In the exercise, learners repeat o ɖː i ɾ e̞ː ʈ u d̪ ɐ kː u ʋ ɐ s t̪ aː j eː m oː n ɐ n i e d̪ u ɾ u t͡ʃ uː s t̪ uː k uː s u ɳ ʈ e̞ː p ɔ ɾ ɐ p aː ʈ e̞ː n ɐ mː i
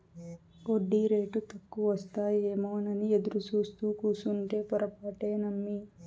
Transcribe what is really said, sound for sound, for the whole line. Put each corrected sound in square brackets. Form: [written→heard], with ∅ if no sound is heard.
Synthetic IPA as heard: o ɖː i ɾ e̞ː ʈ u [d̪→t̪] ɐ kː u ʋ ɐ s t̪ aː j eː m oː n ɐ n i e d̪ u ɾ u t͡ʃ uː s t̪ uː k uː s u ɳ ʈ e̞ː p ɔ ɾ ɐ p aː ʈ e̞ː n ɐ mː i

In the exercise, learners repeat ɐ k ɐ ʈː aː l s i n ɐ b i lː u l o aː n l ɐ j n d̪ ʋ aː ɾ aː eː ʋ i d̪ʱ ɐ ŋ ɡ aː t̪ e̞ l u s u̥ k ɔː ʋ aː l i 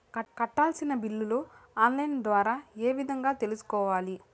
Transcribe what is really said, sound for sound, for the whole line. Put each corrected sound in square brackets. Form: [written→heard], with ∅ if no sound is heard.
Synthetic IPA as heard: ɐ k ɐ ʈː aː l s i n ɐ b i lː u l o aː n l ɐ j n d̪ ʋ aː ɾ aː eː ʋ i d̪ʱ ɐ ŋ ɡ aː t̪ e̞ l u s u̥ k ɔː ʋ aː l i

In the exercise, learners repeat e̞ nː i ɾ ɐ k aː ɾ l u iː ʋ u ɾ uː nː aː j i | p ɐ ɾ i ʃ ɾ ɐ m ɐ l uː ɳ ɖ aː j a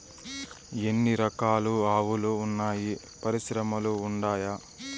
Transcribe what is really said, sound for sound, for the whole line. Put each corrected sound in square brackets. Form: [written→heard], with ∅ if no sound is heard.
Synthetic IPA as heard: e̞ nː i ɾ ɐ k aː [ɾ→∅] l u [iː→aː] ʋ u [ɾ→l] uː nː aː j i | p ɐ ɾ i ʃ ɾ ɐ m ɐ l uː ɳ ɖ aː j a

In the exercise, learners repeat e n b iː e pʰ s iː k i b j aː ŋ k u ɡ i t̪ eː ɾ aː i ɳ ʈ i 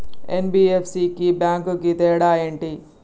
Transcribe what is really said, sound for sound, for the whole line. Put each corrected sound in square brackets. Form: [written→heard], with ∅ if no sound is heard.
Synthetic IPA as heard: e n b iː e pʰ s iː k i b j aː ŋ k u ɡ i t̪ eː [ɾ→ɽ] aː [i→e] ɳ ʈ i

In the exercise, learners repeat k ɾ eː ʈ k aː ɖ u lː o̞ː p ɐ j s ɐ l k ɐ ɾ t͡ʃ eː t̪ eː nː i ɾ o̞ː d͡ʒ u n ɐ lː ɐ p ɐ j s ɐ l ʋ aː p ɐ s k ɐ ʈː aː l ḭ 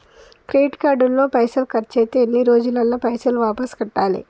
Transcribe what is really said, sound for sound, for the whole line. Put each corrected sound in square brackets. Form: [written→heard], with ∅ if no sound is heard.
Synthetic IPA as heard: k ɾ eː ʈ k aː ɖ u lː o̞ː p ɐ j s ɐ l k ɐ ɾ t͡ʃ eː t̪ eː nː i ɾ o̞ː d͡ʒ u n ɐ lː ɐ p ɐ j s ɐ l ʋ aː p ɐ s k ɐ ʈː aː l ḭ

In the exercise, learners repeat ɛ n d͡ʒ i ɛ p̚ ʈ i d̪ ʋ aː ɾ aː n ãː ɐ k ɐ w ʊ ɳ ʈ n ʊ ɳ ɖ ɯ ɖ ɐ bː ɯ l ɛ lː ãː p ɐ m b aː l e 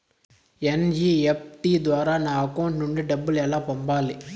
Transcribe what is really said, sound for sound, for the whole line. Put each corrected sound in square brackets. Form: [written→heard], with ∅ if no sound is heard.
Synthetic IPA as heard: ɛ n d͡ʒ i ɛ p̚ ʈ i d̪ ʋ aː ɾ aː n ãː ɐ k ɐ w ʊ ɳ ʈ n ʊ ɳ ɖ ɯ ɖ ɐ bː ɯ l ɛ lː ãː p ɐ m b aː l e

